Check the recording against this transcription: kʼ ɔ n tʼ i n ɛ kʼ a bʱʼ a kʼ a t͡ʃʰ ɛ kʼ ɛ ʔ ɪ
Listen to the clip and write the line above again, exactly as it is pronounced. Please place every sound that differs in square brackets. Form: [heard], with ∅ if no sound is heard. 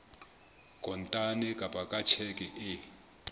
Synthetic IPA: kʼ ɔ n tʼ [a] n ɛ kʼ a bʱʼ a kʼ a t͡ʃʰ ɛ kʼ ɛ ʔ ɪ